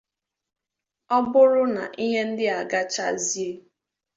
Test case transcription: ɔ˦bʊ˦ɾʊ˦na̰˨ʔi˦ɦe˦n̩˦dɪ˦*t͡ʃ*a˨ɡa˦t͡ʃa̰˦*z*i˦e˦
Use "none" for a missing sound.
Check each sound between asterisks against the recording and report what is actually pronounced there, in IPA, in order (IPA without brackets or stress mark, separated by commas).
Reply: none, z